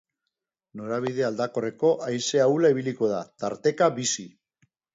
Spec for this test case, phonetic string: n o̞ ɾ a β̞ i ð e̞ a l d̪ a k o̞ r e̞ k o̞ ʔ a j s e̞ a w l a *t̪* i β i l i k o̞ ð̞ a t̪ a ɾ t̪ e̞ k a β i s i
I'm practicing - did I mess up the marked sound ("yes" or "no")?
yes